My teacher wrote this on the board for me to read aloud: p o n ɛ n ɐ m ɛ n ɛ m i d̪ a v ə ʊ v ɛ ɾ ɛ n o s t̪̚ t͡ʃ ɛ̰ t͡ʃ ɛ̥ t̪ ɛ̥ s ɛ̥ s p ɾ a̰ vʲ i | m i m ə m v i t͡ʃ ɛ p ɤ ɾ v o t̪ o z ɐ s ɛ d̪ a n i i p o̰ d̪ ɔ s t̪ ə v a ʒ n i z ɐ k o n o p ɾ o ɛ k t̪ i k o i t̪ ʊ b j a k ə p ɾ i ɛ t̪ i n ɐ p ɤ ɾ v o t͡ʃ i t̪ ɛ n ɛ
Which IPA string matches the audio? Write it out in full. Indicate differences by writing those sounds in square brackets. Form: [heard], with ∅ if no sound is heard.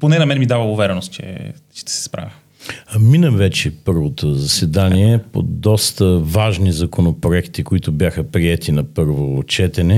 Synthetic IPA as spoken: p o n ɛ n ɐ m ɛ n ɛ m i d̪ a v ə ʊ v ɛ ɾ ɛ n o s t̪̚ t͡ʃ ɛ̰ t͡ʃ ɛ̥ t̪ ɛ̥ s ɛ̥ s p ɾ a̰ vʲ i | m i [n] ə m v [ɛ] t͡ʃ ɛ p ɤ ɾ v o t̪ o z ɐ s ɛ d̪ a n i [ɛ] p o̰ d̪ ɔ s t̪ ə v a ʒ n i z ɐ k o n o p ɾ o ɛ k t̪ i k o i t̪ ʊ b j a [x] ə p ɾ i ɛ t̪ i n ɐ p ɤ ɾ v o t͡ʃ [ɛ] t̪ ɛ n ɛ